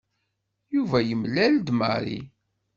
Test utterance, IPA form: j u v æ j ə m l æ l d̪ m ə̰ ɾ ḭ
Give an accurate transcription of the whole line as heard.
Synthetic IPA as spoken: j u v æ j ə m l æ l d̪ m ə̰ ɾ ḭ